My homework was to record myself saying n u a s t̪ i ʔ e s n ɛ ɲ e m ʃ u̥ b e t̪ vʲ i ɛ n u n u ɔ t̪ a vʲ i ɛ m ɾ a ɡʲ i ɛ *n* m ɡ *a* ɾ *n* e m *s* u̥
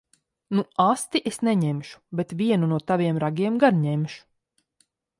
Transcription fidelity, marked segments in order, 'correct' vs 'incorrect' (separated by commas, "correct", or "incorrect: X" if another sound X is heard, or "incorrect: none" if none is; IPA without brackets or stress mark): incorrect: none, correct, incorrect: ɲ, incorrect: ʃ